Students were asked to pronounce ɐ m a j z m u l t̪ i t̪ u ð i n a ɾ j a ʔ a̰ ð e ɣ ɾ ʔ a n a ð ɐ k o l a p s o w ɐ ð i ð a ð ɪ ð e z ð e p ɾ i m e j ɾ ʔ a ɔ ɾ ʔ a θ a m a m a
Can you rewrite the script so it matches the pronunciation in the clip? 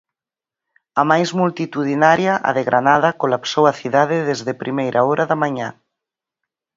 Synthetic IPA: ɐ m a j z m u l t̪ i t̪ u ð i n a ɾ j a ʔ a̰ ð e ɣ ɾ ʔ a n a ð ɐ k o l a p s o w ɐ θ i ð a ð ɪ ð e z ð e p ɾ i m e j ɾ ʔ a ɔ ɾ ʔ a ð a m a ɲ a

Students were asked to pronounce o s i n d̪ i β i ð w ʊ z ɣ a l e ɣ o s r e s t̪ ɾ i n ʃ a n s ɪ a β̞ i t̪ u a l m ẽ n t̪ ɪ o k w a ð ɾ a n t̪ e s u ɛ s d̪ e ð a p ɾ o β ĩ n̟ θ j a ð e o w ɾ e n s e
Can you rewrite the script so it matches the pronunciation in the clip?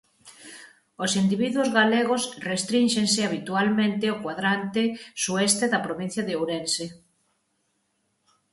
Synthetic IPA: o s i n d̪ i β i ð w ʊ z ɣ a l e ɣ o s r e s t̪ ɾ i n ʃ e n s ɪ a β̞ i t̪ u a l m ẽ n t̪ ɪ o k w a ð ɾ a n t̪ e s u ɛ s t̪ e ð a p ɾ o β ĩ n̟ θ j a ð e o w ɾ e n s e

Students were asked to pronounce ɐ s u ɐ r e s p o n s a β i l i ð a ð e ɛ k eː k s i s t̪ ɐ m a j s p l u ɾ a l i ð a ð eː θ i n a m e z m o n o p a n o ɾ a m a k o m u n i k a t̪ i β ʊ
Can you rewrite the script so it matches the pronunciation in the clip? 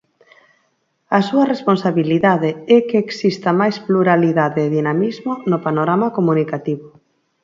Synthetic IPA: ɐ s u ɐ r e s p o n s a β i l i ð a ð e ɛ k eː k s i s t̪ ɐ m a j s p l u ɾ a l i ð a ð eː ð i n a m i z m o n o p a n o ɾ a m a k o m u n i k a t̪ i β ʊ

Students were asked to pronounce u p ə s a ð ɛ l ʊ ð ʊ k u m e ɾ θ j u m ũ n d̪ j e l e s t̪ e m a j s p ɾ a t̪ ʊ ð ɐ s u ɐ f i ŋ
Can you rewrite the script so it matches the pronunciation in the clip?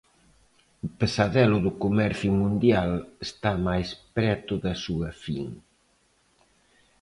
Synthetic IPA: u p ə s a ð ɛ l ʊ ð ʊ k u m ɛ ɾ θ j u m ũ n d̪ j a l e s t̪ a m a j s p ɾ ɛ t̪ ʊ ð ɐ s u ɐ f i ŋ

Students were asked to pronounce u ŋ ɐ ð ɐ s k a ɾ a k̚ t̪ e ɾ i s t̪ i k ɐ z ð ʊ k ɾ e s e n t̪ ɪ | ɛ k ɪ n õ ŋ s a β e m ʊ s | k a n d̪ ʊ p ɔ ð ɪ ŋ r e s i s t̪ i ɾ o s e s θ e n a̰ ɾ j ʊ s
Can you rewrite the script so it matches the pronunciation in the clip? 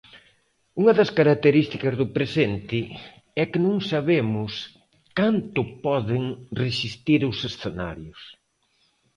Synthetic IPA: u ŋ ɐ ð ɐ s k a ɾ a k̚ t̪ e ɾ i s t̪ i k ɐ z ð ʊ p ɾ e s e n t̪ ɪ | ɛ k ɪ n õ ŋ s a β e m ʊ s | k a n t̪ ʊ p ɔ ð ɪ ŋ r e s i s t̪ i ɾ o s e s θ e n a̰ ɾ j ʊ s

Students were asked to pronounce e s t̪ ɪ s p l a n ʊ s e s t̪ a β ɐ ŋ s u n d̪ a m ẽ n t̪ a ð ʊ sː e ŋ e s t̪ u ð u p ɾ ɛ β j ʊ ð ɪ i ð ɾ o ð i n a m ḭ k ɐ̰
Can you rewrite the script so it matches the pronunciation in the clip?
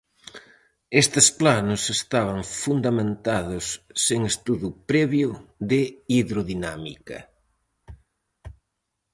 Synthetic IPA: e s t̪ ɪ s p l a n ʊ s e s t̪ a β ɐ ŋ f u n d̪ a m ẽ n t̪ a ð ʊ sː e ŋ e s t̪ u ð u p ɾ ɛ β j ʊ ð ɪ i ð ɾ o ð i n a m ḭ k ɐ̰

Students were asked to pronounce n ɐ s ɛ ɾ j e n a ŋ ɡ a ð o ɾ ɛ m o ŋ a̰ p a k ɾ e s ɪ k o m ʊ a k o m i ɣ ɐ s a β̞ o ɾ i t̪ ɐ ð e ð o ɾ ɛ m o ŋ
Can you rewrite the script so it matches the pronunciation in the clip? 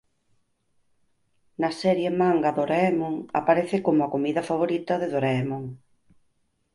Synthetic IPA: n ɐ s ɛ ɾ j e m a ŋ ɡ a ð o ɾ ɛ m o ŋ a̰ p a ɾ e θ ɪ k o m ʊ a k o m i ð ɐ f a β̞ o ɾ i t̪ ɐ ð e ð o ɾ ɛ m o ŋ

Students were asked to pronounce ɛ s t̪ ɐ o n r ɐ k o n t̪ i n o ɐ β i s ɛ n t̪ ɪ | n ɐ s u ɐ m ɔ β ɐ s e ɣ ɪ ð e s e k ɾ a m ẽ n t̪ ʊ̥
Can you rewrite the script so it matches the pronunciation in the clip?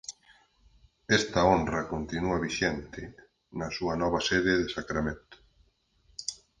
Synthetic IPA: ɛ s t̪ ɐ o n r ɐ k o n t̪ i n u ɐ β i ʃ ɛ n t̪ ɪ | n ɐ s u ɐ n ɔ β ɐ s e ð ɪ ð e s a k ɾ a m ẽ n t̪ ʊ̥

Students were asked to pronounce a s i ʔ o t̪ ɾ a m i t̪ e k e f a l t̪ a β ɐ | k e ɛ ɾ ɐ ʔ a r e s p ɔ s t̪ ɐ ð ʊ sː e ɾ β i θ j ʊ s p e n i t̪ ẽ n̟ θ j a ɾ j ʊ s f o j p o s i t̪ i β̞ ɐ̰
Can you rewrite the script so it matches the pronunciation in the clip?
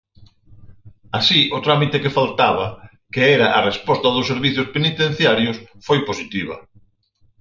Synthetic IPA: a s i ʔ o t̪ ɾ a m i t̪ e k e f a l t̪ a β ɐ | k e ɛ ɾ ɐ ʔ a r e s p ɔ s t̪ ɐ ð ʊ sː e ɾ β i θ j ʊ s p e n i t̪ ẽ n̟ θ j a ɾ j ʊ s f o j p o s i t̪ i β̞ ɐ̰

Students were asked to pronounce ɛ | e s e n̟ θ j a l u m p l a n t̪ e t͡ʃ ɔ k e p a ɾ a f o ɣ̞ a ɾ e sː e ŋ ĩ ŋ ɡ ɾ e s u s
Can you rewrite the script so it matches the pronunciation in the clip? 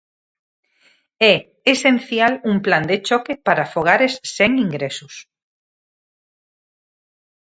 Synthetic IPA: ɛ | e s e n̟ θ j a l u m p l a n d̪ e t͡ʃ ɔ k e p a ɾ a f o ɣ̞ a ɾ e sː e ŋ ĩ ŋ ɡ ɾ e s u s

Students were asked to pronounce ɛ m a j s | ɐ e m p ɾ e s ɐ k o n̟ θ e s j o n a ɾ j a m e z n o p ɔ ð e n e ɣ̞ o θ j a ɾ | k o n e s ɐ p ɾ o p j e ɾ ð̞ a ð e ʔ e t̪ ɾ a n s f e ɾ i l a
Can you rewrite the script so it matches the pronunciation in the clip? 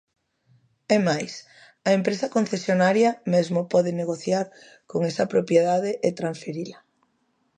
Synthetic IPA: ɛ m a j s | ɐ e m p ɾ e s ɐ k o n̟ θ e s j o n a ɾ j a m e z m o p ɔ ð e n e ɣ̞ o θ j a ɾ | k o ŋ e s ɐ p ɾ o p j e ð̞ a ð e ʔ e t̪ ɾ a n s f e ɾ i l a

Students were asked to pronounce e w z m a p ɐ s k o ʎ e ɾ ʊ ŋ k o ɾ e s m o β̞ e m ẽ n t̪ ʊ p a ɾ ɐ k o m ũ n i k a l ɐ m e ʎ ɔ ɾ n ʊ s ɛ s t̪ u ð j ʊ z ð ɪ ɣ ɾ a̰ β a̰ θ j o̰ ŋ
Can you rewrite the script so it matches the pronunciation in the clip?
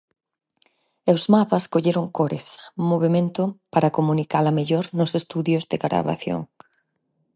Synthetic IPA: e w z m a p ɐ s k o ʎ e ɾ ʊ ŋ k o ɾ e s m o β̞ e m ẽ n t̪ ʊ p a ɾ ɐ k o m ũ n i k a l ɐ m e ʎ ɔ ɾ n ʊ s e s t̪ u ð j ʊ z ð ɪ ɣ ɾ a̰ β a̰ θ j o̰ ŋ

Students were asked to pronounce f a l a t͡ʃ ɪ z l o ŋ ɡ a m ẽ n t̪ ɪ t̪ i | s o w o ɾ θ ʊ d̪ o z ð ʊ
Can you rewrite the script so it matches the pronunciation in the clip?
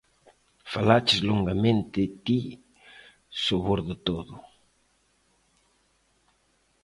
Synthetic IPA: f a l a t͡ʃ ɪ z l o ŋ ɡ a m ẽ n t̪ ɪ t̪ i | s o β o ɾ ð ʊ t̪ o ð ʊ

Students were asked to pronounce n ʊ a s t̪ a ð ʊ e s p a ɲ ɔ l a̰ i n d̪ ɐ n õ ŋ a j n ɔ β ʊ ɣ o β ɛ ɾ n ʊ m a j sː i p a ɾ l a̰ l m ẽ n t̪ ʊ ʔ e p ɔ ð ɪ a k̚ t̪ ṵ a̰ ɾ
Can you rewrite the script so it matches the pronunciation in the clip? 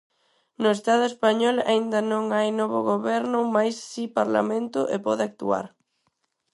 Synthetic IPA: n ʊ e s t̪ a ð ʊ e s p a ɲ ɔ l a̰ i n d̪ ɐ n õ ŋ a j n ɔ β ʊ ɣ o β ɛ ɾ n ʊ m a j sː i p a ɾ l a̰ m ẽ n t̪ ʊ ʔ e p ɔ ð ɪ a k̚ t̪ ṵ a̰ ɾ

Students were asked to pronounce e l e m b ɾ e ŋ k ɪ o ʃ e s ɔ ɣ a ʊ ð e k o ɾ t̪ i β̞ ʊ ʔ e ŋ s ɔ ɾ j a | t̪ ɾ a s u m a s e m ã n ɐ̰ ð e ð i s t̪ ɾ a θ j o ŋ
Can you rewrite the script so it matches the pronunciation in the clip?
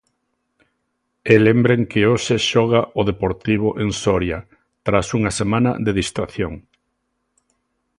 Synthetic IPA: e l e m b ɾ e ŋ k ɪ o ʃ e ʃ ɔ ɣ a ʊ ð e p o ɾ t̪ i β̞ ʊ ʔ e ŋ s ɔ ɾ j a | t̪ ɾ a s u ŋ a s e m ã n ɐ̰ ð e ð i s t̪ ɾ a θ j o ŋ

